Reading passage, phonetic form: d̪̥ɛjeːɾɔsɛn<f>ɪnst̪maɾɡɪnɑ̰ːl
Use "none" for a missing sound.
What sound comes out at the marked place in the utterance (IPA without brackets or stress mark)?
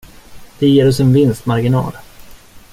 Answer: v